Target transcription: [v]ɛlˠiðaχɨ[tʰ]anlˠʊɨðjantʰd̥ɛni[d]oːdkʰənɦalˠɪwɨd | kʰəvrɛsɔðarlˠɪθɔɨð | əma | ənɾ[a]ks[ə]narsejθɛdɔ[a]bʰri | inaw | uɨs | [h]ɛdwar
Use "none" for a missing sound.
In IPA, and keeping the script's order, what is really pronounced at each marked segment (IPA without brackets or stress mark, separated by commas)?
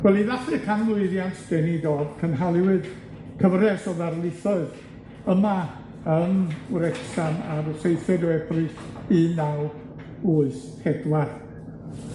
w, kʰ, d, ɛ, a, ɛ, h